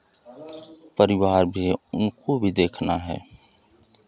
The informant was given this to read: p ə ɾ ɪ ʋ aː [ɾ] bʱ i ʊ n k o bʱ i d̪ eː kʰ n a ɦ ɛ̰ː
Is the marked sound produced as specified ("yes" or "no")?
yes